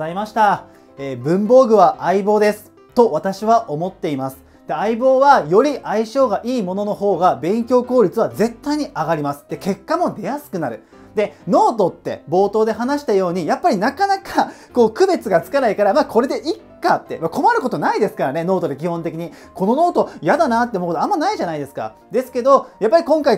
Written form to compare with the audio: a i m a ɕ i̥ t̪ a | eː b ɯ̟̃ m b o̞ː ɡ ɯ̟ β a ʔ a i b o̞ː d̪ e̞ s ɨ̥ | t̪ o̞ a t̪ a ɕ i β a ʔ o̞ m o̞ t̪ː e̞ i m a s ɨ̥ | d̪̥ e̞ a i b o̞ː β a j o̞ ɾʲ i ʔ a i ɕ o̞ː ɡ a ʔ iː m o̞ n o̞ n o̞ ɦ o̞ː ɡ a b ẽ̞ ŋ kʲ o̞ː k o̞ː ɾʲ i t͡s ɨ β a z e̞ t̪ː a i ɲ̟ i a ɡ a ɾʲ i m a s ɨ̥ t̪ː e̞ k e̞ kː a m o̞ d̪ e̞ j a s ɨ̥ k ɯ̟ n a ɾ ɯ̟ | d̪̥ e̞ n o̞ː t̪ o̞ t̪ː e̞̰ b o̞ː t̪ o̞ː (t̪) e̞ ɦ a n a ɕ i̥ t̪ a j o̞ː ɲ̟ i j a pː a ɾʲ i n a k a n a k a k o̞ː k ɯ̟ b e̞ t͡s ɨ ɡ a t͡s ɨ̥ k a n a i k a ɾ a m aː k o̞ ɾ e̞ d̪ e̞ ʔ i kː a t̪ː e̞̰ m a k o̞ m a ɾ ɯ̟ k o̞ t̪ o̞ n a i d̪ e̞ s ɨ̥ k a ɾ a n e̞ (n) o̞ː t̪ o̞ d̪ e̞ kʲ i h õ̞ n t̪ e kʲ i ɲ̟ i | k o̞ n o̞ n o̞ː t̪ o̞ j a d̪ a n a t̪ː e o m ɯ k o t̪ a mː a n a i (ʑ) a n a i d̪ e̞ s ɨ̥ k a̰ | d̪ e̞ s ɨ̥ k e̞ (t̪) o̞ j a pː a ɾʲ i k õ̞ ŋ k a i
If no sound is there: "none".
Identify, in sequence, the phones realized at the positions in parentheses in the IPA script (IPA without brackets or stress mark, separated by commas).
d̪, n, ʑ, d̪